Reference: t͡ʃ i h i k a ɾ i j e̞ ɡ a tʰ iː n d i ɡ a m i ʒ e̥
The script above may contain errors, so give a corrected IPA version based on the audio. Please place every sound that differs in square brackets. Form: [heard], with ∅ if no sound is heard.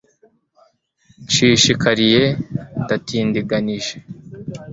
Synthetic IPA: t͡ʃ i [ʃ] i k a ɾ i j e̞ [d] a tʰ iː n d i ɡ a [n] i ʒ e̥